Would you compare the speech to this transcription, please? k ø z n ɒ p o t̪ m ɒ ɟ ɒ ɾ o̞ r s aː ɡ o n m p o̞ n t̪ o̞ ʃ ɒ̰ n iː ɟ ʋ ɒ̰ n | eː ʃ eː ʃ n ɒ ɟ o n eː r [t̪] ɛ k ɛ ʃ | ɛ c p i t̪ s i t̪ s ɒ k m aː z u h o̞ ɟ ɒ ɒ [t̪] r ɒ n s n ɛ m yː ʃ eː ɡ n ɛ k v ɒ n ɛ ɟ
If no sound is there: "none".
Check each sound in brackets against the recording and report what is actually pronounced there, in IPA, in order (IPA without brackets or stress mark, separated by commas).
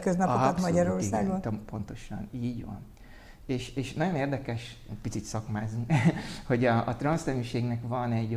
d̪, t̪